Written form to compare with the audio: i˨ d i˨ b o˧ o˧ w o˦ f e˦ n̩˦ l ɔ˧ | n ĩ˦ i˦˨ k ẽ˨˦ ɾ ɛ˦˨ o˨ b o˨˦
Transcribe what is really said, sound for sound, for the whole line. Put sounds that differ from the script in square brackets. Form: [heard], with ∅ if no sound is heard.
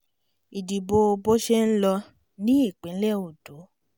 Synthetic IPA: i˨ d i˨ b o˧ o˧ [b] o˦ [ʃ] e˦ n̩˦ l ɔ˧ | n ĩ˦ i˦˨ [k͡p] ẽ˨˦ [l] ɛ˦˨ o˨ [d] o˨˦